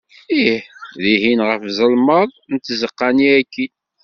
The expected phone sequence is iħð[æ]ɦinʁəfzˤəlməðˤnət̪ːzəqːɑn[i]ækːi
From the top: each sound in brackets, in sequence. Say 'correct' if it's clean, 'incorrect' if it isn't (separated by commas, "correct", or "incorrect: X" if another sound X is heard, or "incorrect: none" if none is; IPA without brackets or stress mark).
incorrect: i, correct